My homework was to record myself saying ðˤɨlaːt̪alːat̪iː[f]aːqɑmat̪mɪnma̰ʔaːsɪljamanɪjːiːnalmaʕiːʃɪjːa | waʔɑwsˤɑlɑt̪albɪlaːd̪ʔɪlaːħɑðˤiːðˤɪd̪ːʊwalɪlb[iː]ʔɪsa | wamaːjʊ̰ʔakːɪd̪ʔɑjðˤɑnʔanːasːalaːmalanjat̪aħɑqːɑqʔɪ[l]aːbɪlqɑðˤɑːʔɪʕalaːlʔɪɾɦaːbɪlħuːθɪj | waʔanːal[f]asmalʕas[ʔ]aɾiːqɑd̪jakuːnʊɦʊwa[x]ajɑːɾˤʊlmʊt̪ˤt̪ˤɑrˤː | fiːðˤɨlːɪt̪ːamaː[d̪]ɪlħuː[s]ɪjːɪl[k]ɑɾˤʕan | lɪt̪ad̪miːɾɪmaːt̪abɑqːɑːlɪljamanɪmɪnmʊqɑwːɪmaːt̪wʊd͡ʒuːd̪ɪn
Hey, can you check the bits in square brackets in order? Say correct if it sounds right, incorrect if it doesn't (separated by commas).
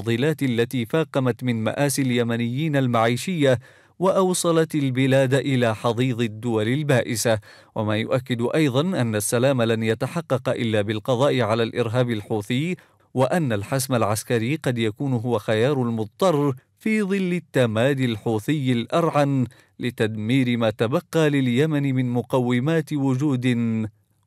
correct, incorrect, incorrect, incorrect, incorrect, correct, correct, incorrect, incorrect